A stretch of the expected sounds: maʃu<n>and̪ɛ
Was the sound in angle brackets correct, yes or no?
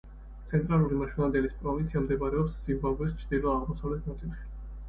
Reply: yes